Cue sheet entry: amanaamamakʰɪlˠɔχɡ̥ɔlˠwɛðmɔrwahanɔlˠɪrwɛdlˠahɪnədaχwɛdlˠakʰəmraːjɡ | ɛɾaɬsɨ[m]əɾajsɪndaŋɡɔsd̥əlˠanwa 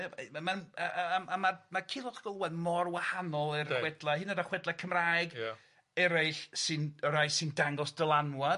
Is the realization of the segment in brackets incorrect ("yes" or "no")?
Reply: yes